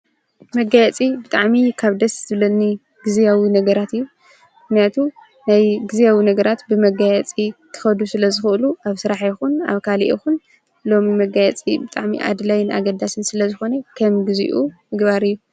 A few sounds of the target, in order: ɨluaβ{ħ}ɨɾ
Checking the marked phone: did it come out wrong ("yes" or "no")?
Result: yes